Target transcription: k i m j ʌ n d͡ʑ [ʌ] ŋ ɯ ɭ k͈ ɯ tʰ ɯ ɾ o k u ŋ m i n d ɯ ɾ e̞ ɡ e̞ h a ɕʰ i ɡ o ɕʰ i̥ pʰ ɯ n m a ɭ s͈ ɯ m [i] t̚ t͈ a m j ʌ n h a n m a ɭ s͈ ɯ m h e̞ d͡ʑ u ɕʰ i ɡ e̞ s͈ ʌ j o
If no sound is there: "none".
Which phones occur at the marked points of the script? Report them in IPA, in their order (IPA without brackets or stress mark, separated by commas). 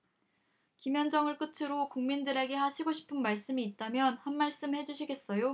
ʌ, iː